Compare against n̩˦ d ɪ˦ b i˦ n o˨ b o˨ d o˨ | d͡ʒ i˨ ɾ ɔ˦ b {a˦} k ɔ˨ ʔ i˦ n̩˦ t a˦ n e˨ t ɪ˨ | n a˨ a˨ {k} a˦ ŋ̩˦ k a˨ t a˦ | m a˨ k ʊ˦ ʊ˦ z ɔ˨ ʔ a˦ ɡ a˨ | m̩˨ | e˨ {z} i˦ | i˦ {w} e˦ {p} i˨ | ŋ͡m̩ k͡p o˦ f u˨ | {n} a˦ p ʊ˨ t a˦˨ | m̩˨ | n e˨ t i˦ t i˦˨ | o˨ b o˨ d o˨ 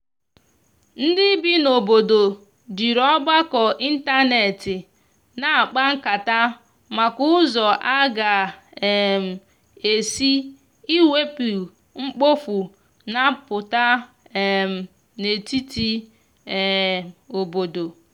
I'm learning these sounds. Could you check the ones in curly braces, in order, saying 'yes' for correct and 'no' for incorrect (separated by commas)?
yes, no, no, yes, yes, yes